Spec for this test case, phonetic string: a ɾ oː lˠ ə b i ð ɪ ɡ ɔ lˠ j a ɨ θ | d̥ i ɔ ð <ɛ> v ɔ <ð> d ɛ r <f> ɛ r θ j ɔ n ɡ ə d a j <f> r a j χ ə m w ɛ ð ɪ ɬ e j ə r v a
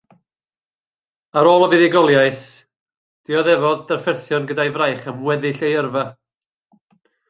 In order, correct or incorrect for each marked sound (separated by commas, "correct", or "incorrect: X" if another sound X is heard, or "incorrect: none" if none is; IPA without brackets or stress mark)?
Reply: correct, correct, correct, incorrect: v